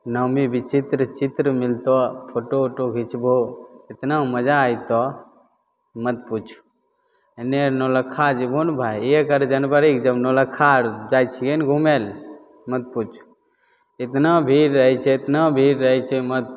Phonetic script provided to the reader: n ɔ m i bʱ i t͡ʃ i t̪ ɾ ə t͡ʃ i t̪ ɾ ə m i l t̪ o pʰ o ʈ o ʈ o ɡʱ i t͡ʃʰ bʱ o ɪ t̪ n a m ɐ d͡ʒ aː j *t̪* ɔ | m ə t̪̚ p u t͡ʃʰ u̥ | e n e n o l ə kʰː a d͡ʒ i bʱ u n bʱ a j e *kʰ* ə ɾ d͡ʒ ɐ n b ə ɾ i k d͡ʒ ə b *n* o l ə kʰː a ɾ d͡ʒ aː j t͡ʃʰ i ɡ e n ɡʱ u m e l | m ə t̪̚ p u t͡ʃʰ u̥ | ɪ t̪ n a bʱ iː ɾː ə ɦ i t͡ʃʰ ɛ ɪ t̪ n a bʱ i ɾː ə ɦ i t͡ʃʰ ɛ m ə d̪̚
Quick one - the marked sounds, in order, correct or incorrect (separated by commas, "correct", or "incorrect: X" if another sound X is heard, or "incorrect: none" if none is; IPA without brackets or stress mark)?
correct, incorrect: k, correct